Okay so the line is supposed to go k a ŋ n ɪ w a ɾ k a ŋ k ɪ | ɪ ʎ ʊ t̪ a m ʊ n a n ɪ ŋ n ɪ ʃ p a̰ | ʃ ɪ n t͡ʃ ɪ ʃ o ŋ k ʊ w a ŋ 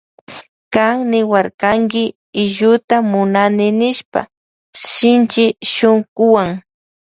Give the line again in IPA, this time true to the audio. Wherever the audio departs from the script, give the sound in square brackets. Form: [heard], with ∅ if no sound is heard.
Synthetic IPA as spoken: k a ŋ n ɪ w a ɾ k a ŋ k ɪ | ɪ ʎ ʊ t̪ a m ʊ n a n ɪ [∅] n ɪ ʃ p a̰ | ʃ ɪ n t͡ʃ ɪ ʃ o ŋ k ʊ w a ŋ